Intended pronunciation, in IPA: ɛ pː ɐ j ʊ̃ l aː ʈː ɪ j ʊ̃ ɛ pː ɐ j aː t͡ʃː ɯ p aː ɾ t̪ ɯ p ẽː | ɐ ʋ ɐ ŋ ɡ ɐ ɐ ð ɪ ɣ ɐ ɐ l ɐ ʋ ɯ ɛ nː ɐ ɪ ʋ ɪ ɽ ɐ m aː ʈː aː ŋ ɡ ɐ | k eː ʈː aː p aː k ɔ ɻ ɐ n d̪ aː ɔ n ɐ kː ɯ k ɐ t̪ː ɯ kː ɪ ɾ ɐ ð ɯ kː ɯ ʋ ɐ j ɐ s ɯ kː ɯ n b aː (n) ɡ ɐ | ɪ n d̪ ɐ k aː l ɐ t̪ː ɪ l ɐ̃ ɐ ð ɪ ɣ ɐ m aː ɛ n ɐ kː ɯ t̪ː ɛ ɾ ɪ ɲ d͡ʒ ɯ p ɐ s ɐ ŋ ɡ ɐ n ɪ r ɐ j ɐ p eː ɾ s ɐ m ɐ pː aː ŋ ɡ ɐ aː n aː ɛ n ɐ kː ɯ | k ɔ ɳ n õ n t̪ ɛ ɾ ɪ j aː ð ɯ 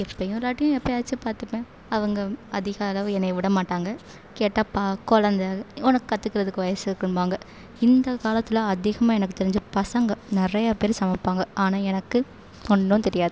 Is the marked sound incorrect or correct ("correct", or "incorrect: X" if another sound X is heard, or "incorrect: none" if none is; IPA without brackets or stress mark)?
incorrect: ŋ